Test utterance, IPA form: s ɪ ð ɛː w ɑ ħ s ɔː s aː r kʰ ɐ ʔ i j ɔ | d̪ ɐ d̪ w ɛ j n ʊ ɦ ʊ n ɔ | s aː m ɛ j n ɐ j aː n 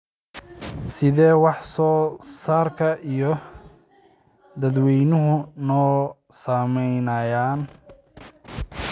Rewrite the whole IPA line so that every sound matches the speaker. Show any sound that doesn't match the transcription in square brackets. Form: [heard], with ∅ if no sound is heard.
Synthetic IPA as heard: s ɪ ð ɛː w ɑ ħ s ɔː s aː r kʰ ɐ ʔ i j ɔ | d̪ ɐ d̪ w ɛ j n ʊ ɦ ʊ n [ɔː] | s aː m ɛ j n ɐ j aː n